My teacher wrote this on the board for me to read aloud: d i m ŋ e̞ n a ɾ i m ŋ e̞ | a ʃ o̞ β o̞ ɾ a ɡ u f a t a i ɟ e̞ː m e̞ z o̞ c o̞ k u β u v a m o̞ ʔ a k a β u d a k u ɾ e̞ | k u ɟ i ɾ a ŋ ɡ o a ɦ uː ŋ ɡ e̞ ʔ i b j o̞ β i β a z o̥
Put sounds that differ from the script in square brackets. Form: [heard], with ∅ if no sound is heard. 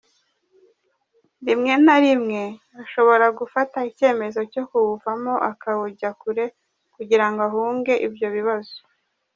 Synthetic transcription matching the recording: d i m ŋ e̞ n a ɾ i m ŋ e̞ | a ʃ o̞ β o̞ ɾ a ɡ u f a t a i [c] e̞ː m e̞ z o̞ c o̞ k u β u v a m o̞ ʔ a k a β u [ɟ] a k u ɾ e̞ | k u ɟ i ɾ a ŋ ɡ o a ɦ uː ŋ ɡ e̞ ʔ i b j o̞ β i β a z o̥

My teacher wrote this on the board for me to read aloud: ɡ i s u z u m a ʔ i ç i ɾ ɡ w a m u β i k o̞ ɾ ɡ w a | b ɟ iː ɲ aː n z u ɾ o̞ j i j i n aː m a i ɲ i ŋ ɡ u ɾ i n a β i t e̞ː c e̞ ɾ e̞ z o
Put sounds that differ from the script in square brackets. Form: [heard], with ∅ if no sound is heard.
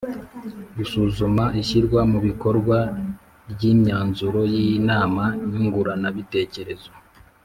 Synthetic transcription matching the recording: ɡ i s u z u m a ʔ i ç i ɾ ɡ w a m u β i k o̞ ɾ ɡ w a | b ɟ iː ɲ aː n z u ɾ o̞ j i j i n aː m a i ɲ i ŋ ɡ u ɾ [a] n a β i t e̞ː c e̞ ɾ e̞ z o

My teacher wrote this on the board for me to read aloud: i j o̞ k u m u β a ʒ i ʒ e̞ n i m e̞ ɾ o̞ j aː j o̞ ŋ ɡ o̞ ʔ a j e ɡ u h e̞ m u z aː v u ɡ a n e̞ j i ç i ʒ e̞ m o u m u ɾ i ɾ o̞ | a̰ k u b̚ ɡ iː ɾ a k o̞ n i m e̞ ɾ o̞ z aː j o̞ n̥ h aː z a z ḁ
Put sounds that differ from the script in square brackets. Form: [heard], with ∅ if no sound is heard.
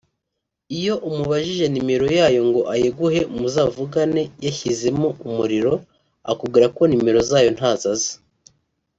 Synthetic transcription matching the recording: i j o̞ [ʔ] u m u β a ʒ i ʒ e̞ n i m e̞ ɾ o̞ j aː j o̞ ŋ ɡ o̞ ʔ a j e ɡ u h e̞ m u z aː v u ɡ a n e̞ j [a] ç i [z] e̞ m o u m u ɾ i ɾ o̞ | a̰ k u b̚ ɡ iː ɾ a k o̞ n i m e̞ ɾ o̞ z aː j o̞ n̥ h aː z a z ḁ

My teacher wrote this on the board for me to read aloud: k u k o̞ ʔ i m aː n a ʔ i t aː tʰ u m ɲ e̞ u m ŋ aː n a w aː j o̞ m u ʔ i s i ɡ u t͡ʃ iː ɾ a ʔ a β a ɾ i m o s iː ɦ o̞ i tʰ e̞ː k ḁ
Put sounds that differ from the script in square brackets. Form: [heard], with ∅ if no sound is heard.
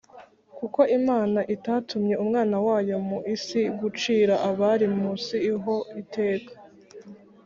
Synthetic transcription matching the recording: k u k o̞ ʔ i m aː n a ʔ i t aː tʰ u m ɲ e̞ u m ŋ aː n a w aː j o̞ m u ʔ i s i ɡ u t͡ʃ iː ɾ a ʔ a β a ɾ i m [u] s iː ɦ o̞ i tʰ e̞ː k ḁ

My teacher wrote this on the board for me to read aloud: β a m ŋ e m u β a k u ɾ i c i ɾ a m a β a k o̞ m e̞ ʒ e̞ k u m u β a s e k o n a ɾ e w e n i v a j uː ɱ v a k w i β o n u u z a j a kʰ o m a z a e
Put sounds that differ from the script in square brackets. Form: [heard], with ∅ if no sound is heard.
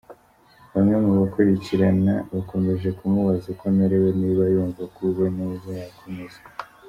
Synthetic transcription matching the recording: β a m ŋ e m u β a k u ɾ i c i ɾ a [n] a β a k o̞ m e̞ ʒ e̞ k u m u β a [z] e k o n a ɾ e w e n i [β] a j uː ɱ v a k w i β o n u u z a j a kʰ o m [e] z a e

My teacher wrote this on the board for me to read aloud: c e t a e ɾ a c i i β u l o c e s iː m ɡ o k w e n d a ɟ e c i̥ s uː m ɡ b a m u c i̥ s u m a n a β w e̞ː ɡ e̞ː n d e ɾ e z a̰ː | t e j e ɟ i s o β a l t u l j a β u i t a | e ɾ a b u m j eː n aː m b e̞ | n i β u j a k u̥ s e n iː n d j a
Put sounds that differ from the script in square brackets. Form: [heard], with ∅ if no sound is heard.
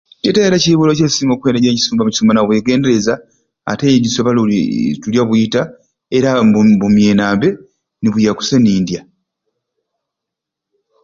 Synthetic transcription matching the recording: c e t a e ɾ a c i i β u l o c e s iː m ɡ o k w e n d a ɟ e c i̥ s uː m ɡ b a m u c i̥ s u m a n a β w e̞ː ɡ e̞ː n d e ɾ e z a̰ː | t e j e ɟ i s o β a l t u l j a β u i t a | e ɾ a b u m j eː n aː m b e̞ | n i β u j a k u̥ s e n iː n d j a

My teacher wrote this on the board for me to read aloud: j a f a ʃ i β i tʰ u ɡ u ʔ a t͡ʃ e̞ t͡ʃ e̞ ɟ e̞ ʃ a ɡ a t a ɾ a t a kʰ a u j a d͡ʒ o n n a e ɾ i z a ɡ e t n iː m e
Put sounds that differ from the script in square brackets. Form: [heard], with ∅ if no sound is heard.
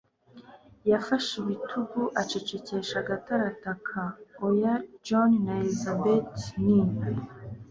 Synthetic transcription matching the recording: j a f a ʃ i β i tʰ u ɡ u ʔ a t͡ʃ e̞ t͡ʃ e̞ [c] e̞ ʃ a ɡ a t a ɾ a t a kʰ a [o] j a d͡ʒ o n n a e [l] i z a [b] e t n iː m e

